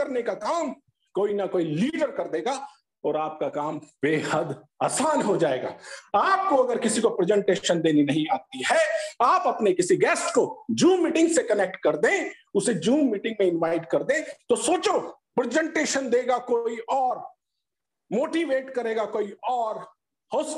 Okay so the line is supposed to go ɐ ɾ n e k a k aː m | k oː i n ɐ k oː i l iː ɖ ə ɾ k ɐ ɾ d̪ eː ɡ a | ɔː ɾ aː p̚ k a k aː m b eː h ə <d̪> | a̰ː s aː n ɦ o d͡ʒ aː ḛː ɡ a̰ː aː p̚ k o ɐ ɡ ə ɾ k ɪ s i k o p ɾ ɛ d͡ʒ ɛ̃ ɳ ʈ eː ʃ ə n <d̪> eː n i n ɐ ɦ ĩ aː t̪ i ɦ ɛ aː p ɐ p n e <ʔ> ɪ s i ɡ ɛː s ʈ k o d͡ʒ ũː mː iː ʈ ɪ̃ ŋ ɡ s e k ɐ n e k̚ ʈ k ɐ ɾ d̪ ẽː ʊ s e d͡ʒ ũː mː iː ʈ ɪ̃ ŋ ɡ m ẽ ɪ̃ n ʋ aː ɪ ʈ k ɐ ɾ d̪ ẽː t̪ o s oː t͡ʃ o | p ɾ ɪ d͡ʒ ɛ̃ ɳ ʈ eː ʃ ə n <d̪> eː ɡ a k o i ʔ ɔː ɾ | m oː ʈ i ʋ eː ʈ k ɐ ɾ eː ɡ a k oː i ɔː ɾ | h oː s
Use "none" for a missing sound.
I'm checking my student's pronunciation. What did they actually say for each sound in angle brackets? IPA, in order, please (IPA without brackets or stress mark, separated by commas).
d̪, d̪, k, d̪